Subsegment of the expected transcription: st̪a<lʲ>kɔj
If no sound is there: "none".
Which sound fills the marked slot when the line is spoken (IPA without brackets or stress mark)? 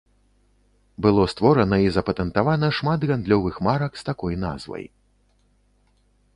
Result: none